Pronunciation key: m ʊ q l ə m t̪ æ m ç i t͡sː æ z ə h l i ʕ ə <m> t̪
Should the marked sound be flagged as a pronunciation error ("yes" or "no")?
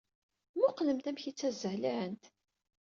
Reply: yes